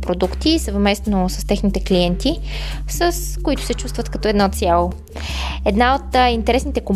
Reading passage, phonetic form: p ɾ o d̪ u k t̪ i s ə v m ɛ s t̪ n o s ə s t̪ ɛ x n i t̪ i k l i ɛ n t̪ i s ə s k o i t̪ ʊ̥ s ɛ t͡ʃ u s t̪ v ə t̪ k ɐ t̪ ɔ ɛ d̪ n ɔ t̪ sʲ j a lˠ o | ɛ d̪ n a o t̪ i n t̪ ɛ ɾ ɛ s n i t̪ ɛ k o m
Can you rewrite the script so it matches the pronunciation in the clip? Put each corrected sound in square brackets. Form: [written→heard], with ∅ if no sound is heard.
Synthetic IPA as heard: p ɾ o d̪ u k t̪ i s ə v m ɛ s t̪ n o s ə s t̪ ɛ x n i t̪ [i→ɛ] k l i ɛ n t̪ i s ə s k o i t̪ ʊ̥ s ɛ t͡ʃ u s t̪ v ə t̪ k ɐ t̪ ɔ ɛ d̪ n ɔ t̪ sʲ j a lˠ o | ɛ d̪ n a o t̪ i n t̪ ɛ ɾ ɛ s n i t̪ ɛ k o m